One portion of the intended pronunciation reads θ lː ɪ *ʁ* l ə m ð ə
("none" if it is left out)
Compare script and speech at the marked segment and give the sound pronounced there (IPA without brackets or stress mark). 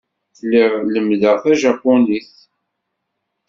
ʁ